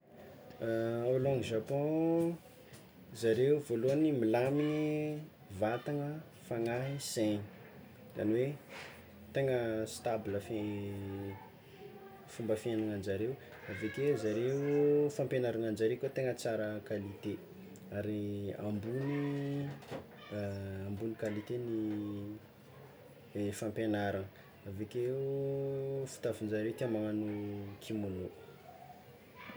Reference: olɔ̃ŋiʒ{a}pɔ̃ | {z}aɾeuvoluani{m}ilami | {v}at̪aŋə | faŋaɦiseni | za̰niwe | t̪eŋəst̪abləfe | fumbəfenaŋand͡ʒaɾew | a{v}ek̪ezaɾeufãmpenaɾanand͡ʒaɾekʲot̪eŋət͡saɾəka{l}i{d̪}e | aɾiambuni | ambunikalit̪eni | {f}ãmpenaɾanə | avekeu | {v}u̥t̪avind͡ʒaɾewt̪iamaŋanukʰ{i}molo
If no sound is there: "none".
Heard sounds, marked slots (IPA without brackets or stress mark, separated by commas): a, z, m, v, v, l, t̪, f, f, i